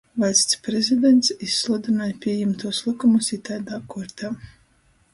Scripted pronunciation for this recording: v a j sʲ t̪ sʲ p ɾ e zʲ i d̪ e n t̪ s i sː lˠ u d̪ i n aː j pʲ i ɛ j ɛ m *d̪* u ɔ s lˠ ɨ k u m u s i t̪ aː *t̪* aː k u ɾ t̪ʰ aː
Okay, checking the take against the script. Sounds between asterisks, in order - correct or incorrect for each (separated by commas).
incorrect, incorrect